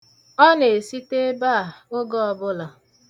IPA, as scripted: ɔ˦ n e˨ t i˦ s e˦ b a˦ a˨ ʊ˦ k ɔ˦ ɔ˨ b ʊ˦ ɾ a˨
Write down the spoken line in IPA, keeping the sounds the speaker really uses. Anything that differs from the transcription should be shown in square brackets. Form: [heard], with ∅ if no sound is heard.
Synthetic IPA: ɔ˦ n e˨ [s] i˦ [t] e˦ b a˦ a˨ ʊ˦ [ɡ] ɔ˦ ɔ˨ b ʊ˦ [l] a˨

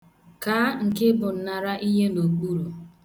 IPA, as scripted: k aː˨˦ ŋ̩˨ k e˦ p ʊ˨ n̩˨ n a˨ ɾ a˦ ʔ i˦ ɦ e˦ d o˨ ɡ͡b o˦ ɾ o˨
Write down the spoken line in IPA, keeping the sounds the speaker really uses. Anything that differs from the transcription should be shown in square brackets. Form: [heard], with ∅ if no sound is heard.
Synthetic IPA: k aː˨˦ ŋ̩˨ k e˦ [b] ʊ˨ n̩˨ n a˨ ɾ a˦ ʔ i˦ ɦ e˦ [n] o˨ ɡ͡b [u˦] ɾ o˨

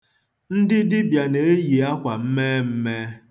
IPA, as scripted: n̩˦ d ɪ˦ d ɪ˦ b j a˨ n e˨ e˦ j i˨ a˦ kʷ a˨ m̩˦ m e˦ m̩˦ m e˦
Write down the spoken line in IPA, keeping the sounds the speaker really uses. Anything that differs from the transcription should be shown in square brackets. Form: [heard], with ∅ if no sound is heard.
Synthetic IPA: n̩˦ d ɪ˦ d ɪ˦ b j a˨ n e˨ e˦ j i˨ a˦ kʷ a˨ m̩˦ m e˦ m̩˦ m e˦

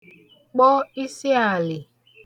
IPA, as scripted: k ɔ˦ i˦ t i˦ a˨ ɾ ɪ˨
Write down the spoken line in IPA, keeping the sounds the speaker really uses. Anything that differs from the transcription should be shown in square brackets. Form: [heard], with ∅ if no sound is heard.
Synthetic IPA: [k͡p] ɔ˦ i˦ [s] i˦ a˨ [l] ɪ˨

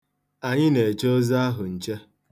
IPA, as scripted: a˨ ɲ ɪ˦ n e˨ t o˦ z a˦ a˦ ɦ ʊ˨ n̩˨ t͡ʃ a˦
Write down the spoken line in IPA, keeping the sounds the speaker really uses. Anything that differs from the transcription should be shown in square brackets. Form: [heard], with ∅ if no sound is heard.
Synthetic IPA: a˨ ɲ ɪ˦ n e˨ [t͡ʃ] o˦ z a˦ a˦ ɦ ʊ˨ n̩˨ t͡ʃ [e˦]

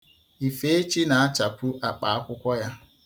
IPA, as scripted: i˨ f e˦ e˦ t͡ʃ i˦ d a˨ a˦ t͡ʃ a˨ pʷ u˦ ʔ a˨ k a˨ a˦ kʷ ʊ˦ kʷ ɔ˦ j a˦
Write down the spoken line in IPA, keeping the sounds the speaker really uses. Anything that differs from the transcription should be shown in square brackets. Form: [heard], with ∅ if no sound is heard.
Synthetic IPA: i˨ f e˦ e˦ t͡ʃ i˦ [n] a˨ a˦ t͡ʃ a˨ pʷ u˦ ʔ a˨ [k͡p] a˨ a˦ kʷ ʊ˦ kʷ ɔ˦ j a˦

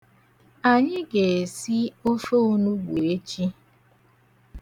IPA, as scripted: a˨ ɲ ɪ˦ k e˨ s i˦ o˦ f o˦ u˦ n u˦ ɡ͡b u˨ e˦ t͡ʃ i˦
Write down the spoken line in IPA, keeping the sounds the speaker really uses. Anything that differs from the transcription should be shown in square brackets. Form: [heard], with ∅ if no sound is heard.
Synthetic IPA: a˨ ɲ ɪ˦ [ɡ] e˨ s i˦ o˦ f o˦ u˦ n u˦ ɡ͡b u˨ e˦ t͡ʃ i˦

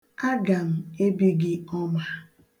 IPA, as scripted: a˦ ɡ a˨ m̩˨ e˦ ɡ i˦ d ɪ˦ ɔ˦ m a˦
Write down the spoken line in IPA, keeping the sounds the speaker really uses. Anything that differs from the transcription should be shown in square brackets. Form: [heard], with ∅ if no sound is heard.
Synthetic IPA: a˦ ɡ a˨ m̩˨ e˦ [b] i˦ [ɡ] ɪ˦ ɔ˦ m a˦

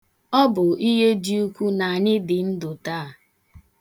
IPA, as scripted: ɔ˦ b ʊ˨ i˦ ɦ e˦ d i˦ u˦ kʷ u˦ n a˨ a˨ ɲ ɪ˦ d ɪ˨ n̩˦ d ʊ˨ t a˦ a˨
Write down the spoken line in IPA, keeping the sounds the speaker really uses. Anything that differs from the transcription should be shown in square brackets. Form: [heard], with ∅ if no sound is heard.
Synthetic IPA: ɔ˦ b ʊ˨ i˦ ɦ e˦ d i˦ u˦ kʷ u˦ n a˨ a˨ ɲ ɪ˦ d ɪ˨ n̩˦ d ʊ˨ t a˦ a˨

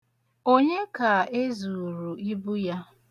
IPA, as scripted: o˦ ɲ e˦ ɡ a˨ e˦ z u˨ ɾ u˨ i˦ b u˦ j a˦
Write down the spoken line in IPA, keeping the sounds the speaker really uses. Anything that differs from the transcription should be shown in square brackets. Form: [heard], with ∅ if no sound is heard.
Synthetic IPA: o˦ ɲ e˦ [k] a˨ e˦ z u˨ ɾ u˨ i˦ b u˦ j a˦

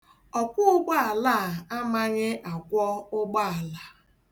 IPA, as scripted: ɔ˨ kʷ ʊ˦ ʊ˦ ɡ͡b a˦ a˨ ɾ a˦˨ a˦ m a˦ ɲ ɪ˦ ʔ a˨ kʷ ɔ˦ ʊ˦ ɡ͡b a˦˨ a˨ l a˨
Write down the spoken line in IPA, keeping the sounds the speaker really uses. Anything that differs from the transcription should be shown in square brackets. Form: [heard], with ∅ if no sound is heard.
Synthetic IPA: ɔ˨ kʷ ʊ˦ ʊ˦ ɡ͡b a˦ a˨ [l] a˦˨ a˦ m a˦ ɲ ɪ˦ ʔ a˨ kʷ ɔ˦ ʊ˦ ɡ͡b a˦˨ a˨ l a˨

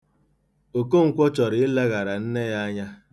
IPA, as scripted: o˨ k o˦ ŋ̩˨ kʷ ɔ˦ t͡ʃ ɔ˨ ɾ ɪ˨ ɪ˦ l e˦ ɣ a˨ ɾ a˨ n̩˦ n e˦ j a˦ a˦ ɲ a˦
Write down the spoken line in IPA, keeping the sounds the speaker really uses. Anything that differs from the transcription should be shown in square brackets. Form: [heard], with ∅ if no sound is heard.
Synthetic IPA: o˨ k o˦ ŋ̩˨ kʷ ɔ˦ t͡ʃ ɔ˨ ɾ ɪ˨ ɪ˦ l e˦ ɣ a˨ ɾ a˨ n̩˦ n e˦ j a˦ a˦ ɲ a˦

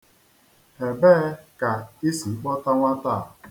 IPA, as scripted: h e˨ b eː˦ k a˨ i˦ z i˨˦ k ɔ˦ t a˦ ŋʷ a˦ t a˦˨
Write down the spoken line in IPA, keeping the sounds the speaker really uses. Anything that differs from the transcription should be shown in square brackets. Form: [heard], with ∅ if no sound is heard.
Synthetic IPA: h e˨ b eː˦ k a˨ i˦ [s] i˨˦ [k͡p] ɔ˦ t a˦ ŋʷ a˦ t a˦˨

